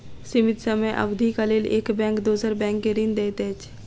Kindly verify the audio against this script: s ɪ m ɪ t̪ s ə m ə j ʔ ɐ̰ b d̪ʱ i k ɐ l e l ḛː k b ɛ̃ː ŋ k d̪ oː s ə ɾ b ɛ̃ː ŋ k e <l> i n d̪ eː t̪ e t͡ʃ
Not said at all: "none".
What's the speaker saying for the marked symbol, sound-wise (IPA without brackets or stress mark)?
ɾ